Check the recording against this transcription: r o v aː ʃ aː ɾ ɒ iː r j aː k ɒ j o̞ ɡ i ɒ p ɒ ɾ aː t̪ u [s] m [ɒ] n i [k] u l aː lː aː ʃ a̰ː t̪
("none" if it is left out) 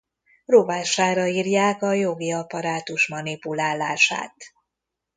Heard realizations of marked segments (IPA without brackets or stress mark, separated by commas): ʃ, ɒ, p